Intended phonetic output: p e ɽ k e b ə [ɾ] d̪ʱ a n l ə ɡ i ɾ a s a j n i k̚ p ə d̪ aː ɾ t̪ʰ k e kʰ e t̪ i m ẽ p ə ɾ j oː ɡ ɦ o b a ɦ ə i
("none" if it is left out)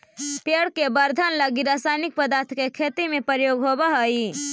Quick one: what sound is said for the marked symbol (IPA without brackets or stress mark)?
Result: ɾ